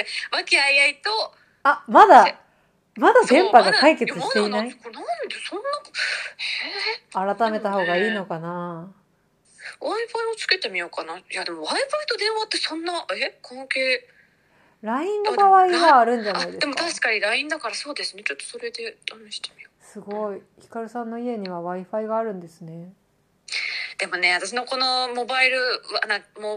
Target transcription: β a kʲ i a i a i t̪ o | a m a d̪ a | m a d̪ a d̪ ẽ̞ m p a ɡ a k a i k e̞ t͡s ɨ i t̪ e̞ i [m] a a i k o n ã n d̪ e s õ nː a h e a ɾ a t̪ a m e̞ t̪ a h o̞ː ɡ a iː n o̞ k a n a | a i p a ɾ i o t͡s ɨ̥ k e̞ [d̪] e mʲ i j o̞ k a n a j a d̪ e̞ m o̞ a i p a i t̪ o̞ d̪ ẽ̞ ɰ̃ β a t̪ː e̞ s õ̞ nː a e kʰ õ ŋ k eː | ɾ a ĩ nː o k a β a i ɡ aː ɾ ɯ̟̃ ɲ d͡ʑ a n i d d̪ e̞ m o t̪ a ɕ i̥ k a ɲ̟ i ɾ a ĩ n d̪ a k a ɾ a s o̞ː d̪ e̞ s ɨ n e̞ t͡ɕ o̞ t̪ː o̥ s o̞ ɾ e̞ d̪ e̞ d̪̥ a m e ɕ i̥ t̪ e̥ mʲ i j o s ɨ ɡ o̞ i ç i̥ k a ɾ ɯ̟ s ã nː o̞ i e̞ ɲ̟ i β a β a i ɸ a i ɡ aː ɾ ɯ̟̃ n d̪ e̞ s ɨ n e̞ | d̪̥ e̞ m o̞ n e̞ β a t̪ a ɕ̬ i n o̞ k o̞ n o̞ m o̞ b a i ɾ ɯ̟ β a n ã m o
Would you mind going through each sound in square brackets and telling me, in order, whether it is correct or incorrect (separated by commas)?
incorrect, incorrect